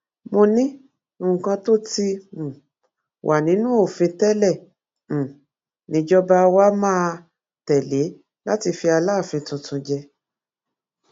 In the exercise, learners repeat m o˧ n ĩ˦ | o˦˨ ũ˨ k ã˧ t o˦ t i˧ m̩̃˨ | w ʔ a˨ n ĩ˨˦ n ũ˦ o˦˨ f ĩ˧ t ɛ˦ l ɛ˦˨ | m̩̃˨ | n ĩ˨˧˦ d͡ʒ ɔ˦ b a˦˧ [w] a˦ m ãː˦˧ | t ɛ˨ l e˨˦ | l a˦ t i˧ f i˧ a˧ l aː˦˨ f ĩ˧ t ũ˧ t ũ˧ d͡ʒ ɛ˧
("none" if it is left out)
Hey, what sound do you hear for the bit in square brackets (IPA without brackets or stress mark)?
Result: w